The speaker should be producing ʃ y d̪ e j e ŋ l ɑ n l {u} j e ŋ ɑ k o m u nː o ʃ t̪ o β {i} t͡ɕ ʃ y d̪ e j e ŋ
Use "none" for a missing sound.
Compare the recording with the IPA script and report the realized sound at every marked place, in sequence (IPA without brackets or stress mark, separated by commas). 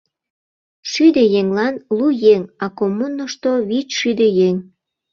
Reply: u, i